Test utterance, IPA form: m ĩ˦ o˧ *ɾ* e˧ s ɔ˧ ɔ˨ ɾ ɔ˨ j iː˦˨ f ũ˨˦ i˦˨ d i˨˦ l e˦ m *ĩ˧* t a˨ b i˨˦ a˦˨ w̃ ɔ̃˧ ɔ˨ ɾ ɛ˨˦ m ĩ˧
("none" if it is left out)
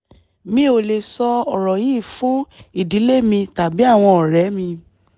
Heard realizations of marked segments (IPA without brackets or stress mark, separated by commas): l, ĩ˧